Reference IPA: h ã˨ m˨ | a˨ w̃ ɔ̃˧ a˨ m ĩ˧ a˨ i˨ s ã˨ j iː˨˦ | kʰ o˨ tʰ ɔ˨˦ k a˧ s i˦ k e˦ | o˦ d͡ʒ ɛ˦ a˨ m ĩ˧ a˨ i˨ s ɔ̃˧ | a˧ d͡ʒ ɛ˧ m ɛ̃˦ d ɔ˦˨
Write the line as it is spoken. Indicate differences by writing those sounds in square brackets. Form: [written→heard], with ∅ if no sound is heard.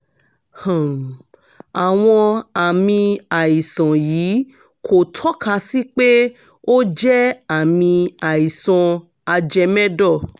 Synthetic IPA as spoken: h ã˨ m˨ | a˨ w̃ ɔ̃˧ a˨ m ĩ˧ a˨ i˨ s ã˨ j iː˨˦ | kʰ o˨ tʰ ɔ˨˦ k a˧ s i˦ [k→k͡p] e˦ | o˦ d͡ʒ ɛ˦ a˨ m ĩ˧ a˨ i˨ s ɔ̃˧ | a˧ d͡ʒ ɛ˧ m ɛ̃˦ d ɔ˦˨